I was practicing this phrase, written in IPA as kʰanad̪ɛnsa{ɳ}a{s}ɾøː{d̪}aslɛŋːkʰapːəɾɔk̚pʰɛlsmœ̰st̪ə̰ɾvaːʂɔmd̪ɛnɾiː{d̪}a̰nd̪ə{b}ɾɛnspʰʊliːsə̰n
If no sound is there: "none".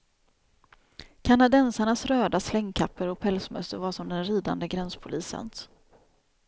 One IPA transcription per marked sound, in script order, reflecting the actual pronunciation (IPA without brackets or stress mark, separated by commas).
ɳ, s, d̪, d̪, ɡ